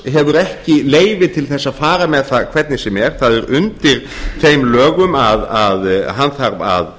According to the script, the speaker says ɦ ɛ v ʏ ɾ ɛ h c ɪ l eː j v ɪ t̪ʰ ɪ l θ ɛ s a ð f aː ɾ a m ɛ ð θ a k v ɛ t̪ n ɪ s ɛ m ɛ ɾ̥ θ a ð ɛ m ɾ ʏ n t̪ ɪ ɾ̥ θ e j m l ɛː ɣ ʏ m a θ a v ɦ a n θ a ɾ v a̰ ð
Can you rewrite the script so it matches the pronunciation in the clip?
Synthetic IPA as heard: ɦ ɛ v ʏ ɾ ɛ h c ɪ l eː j v ɪ t̪ʰ ɪ l θ ɛ sː a ð f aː ɾ a m ɛ ð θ a kʰ v ɛ t̪ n ɪ s ɛ m ɛ ɾ̥ θ a ð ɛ ɾ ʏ n t̪ ɪ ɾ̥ θ e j m l œː ɣ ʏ m a ð a ð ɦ a n θ a ɾ v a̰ ð